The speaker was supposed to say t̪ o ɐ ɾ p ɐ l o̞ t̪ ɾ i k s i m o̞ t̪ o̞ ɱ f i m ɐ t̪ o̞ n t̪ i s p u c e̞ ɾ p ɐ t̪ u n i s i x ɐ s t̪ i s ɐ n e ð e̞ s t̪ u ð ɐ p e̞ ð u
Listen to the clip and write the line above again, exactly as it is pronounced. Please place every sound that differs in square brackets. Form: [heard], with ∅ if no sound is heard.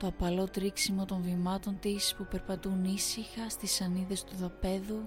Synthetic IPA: t̪ o ɐ [∅] p ɐ l o̞ t̪ ɾ i k s i m o̞ t̪ o̞ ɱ [v] i m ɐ t̪ o̞ n t̪ i s p u [p] e̞ ɾ p ɐ t̪ u n i s i x ɐ s t̪ i s ɐ n [i] ð e̞ s t̪ u ð ɐ p e̞ ð u